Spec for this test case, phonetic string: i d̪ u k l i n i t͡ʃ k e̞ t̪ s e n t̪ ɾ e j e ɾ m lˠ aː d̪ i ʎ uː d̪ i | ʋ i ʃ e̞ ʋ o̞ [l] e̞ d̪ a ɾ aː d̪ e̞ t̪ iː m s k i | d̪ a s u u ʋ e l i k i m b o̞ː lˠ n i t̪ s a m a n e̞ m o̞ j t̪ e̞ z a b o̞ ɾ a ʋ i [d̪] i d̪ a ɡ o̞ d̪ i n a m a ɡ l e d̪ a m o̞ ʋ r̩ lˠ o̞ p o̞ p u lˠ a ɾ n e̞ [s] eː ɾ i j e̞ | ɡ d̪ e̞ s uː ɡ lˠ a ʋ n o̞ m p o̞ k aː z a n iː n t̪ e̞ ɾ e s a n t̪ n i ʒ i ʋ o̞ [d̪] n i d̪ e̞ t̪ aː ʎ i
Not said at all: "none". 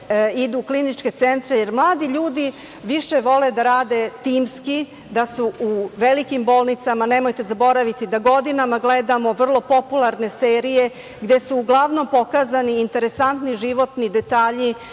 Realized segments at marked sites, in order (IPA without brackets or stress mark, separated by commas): l, t̪, s, t̪